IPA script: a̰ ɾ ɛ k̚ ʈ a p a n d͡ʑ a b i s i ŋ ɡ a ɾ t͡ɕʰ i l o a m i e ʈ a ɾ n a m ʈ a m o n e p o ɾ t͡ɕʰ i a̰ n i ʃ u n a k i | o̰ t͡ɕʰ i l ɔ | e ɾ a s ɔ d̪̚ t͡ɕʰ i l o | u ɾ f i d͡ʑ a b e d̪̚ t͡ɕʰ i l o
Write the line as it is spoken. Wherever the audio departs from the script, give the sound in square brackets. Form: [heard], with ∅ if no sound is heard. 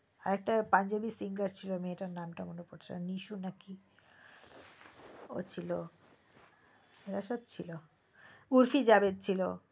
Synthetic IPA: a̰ ɾ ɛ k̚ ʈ a p a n d͡ʑ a b i s i ŋ ɡ a ɾ t͡ɕʰ i l o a m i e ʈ a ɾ n a m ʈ a m o n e p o ɾ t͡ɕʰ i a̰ n i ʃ u n a k i | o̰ t͡ɕʰ i l [o] | e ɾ a [ʃ] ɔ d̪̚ t͡ɕʰ i l o | u ɾ f i d͡ʑ a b e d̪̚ t͡ɕʰ i l o